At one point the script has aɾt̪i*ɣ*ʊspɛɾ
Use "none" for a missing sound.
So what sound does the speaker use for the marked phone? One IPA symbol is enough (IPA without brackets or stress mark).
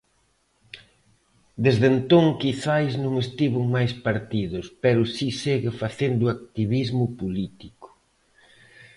ð